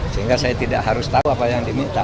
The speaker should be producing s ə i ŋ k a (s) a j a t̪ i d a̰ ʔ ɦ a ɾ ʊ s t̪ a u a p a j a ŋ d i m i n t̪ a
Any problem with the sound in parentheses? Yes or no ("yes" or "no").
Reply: no